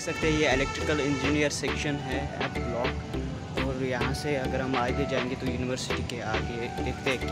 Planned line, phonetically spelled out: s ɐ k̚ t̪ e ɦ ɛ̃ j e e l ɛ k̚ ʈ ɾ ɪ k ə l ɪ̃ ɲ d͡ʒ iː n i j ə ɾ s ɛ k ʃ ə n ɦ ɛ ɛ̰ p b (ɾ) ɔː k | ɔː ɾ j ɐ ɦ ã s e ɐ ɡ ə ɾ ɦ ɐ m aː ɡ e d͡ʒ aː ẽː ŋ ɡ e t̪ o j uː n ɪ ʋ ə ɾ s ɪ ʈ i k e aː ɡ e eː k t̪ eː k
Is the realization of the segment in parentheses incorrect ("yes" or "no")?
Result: yes